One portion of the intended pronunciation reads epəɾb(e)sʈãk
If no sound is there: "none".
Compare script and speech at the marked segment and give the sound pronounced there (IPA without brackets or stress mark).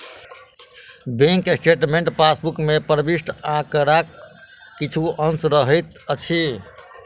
i